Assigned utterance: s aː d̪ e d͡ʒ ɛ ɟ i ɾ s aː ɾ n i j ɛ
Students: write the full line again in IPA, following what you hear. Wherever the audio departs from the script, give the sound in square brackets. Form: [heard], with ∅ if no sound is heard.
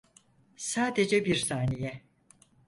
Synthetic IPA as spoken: s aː d̪ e d͡ʒ ɛ [b] i ɾ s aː [∅] n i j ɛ